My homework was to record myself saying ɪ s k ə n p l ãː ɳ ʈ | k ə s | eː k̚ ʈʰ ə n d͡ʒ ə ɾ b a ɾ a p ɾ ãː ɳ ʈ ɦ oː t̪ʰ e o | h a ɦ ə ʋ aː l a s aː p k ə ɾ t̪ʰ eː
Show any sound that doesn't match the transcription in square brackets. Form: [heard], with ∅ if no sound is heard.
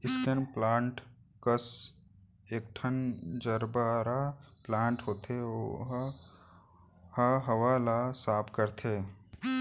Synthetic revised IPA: ɪ s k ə n p l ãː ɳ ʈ | k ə s | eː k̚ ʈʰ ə n d͡ʒ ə ɾ b a ɾ a p [l] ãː ɳ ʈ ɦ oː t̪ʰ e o | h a ɦ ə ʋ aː l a s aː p k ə ɾ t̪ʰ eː